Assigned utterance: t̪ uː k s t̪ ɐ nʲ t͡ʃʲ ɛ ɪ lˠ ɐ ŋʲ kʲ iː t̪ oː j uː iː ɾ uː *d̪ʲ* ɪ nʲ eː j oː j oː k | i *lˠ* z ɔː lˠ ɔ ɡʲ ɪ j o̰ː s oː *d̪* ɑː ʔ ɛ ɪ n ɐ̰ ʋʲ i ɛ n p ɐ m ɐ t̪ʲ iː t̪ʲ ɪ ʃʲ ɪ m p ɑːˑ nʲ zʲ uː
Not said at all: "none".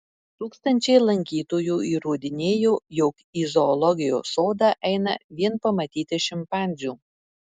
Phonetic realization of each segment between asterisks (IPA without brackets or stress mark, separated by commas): d̪ʲ, none, d̪